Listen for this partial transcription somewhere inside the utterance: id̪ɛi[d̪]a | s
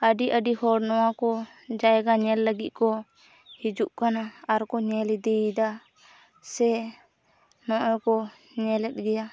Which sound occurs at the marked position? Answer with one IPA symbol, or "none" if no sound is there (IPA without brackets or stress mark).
d̪